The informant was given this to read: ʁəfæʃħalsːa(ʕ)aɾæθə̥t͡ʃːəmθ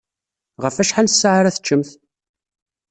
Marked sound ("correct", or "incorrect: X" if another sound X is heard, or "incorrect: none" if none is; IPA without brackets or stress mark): correct